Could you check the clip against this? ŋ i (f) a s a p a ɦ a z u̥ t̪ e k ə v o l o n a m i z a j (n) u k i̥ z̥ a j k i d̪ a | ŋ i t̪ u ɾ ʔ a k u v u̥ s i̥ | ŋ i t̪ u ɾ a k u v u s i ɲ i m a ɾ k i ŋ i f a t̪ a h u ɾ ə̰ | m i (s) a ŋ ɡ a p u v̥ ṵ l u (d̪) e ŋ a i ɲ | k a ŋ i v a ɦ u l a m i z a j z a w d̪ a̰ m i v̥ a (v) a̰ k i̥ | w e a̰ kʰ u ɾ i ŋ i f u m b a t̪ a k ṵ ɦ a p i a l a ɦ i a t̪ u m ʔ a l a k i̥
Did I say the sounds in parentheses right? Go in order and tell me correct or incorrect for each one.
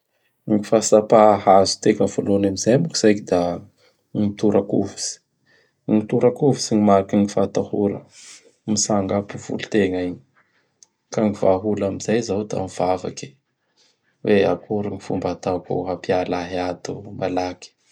correct, incorrect: m, correct, incorrect: t̪, correct

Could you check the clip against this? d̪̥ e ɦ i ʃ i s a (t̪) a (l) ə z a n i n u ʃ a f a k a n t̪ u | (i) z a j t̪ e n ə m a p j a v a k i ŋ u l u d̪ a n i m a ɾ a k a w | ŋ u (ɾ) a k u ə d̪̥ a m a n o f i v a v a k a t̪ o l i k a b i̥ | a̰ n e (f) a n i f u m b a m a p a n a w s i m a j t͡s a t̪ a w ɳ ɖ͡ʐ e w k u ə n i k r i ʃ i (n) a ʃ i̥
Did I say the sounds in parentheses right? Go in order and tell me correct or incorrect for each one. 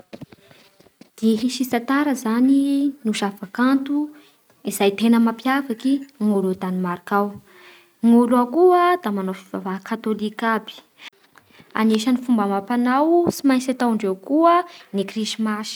correct, incorrect: ɾ, correct, incorrect: l, incorrect: ʃ, incorrect: m

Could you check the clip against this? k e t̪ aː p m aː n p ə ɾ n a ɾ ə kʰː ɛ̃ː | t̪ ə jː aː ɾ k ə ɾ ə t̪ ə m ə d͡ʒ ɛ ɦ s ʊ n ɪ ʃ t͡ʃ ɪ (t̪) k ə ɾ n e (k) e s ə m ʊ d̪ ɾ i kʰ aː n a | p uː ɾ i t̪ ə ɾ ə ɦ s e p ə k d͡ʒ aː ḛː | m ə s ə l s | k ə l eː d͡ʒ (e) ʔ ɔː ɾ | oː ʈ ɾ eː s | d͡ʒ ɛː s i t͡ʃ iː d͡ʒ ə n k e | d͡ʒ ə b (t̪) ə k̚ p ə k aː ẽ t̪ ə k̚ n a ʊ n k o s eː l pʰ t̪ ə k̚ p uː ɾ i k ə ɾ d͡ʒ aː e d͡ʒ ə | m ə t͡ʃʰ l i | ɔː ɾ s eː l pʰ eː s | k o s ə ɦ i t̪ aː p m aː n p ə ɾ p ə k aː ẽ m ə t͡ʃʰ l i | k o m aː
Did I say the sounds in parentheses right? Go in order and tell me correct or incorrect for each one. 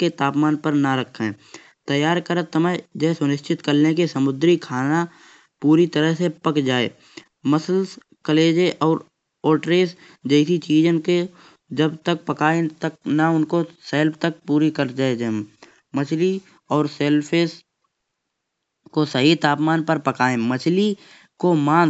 correct, correct, correct, correct

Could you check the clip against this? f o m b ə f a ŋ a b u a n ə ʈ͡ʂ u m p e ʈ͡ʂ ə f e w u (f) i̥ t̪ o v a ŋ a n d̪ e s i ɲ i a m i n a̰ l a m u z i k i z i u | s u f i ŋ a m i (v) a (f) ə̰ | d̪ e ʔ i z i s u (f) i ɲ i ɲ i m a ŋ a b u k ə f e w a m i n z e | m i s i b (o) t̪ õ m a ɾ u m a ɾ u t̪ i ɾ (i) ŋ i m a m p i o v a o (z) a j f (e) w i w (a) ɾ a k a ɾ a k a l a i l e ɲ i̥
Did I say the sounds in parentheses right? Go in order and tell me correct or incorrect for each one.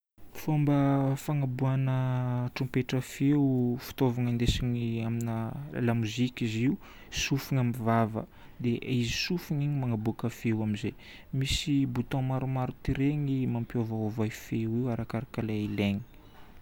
correct, correct, incorrect: v, correct, incorrect: u, incorrect: e, incorrect: v, correct, correct

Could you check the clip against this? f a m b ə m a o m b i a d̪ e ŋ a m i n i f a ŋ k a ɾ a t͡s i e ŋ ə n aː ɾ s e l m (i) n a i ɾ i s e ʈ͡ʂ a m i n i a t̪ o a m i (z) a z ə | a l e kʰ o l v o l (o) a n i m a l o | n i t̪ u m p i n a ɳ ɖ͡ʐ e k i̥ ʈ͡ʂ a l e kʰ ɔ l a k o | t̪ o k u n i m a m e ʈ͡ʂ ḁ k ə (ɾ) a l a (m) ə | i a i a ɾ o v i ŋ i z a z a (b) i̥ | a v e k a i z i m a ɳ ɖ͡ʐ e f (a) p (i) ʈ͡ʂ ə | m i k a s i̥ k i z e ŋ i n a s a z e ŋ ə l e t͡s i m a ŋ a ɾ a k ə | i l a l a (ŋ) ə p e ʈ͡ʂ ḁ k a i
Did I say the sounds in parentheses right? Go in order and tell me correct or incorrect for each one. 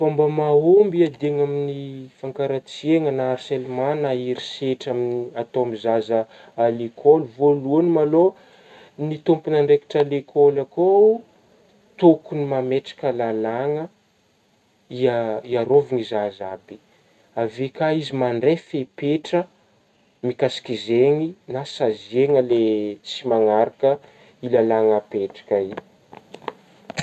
incorrect: a, correct, incorrect: u, incorrect: l, incorrect: ŋ, correct, incorrect: e, incorrect: e, correct

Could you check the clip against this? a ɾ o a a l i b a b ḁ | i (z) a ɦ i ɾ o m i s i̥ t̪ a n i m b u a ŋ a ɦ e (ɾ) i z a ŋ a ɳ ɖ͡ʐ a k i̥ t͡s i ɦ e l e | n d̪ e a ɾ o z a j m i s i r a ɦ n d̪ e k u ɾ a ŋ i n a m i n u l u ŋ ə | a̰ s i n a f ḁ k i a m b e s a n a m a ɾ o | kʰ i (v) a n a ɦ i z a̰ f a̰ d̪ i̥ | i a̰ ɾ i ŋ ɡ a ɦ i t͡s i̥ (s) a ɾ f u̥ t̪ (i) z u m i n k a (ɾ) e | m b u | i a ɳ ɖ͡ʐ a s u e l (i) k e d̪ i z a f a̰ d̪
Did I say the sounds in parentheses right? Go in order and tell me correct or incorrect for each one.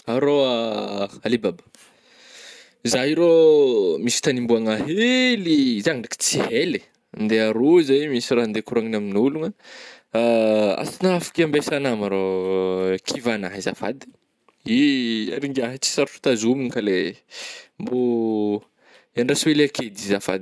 correct, incorrect: l, correct, correct, incorrect: a, incorrect: l, incorrect: a

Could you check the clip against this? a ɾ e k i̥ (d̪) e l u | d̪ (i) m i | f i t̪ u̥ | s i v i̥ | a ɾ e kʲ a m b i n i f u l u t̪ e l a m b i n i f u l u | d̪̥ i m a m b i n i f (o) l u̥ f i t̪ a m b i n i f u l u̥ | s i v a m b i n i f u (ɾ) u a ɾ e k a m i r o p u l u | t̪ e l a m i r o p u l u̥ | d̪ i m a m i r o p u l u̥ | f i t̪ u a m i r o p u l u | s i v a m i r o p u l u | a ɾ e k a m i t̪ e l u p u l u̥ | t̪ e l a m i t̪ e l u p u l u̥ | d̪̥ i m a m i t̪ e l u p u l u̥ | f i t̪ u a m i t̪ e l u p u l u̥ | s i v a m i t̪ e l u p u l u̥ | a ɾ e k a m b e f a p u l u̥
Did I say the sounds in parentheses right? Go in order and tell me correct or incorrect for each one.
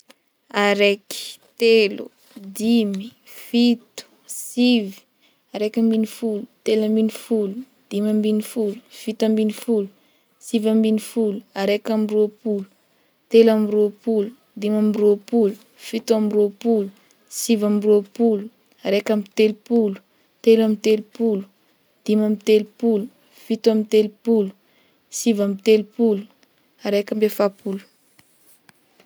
incorrect: t̪, correct, incorrect: u, incorrect: l

